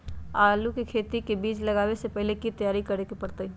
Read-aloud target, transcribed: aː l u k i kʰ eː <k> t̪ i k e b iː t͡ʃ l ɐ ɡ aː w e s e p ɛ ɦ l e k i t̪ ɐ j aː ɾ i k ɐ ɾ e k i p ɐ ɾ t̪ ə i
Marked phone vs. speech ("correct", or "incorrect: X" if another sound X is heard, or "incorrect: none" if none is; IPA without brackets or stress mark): incorrect: none